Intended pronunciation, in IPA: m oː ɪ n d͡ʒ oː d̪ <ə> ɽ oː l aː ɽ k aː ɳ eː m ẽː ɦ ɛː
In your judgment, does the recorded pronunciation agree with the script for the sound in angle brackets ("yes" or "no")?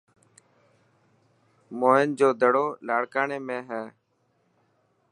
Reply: yes